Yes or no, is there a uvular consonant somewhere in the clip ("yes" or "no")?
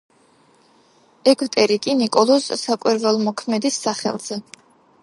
yes